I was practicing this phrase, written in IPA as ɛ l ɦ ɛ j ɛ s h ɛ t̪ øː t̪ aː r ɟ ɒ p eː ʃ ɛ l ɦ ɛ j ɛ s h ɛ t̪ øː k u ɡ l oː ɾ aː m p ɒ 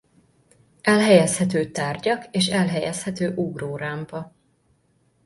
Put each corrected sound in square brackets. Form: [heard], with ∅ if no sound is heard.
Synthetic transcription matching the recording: ɛ l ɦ ɛ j ɛ s h ɛ t̪ øː t̪ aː r ɟ ɒ [k] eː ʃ ɛ l ɦ ɛ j ɛ s h ɛ t̪ øː [ʔ] u ɡ [r] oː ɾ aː m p ɒ